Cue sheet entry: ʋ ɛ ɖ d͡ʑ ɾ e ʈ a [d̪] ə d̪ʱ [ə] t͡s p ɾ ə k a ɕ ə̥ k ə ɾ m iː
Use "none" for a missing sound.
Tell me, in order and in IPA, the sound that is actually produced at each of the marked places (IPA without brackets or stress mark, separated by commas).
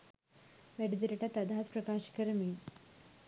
t̪, a